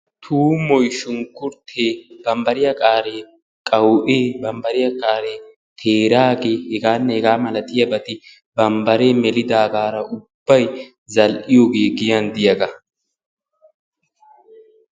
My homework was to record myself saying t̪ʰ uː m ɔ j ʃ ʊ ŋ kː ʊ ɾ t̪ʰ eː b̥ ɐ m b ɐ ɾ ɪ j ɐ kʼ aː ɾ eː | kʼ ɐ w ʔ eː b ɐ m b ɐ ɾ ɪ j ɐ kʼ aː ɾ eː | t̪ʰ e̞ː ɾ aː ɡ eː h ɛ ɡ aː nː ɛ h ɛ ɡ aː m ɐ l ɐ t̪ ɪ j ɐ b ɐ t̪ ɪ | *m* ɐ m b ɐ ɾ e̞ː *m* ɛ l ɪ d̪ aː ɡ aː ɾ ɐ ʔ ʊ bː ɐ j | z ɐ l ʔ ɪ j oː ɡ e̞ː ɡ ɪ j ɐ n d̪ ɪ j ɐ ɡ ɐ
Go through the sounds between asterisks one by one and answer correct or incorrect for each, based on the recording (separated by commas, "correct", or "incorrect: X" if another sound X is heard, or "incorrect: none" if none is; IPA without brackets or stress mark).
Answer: incorrect: b, correct